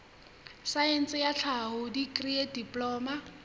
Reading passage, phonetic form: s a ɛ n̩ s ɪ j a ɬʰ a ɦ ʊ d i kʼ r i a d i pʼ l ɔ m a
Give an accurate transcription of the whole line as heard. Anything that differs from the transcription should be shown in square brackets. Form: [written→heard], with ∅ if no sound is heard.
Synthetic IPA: s a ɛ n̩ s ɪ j a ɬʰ a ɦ ʊ d i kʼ r i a d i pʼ l [ɔ→ɔː] m a

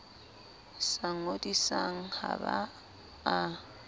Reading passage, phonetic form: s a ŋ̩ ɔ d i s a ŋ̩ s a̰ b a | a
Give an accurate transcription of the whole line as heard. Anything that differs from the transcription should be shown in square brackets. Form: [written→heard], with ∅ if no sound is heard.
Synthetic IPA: s a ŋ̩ [ɔ→o] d i s a ŋ̩ [s→h] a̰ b a | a

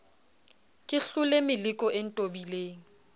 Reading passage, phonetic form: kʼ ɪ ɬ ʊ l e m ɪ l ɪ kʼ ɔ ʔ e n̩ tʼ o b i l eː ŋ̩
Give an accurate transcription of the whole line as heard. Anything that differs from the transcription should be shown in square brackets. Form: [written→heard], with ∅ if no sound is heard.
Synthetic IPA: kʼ ɪ ɬ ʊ l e m ɪ l ɪ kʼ ɔ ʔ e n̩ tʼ o b i l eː ŋ̩

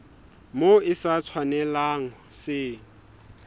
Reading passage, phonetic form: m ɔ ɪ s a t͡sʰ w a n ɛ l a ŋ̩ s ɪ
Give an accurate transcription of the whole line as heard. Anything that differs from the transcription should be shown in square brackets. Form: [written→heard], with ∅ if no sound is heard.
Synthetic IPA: m [ɔ→o] ɪ s a t͡sʰ w a n ɛ l a ŋ̩ s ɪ

